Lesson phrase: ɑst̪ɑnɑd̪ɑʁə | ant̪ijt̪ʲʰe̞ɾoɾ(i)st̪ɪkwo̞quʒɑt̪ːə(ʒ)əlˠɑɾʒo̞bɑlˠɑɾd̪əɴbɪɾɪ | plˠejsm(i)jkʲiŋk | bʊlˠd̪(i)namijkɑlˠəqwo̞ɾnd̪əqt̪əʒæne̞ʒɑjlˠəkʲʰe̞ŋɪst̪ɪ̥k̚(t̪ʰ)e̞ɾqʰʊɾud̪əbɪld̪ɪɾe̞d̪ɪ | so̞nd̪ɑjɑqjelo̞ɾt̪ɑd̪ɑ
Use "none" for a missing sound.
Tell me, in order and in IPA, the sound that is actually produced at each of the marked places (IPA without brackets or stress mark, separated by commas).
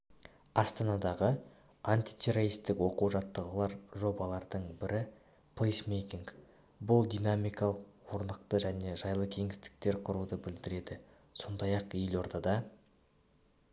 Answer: i, ʁ, e, i, t̪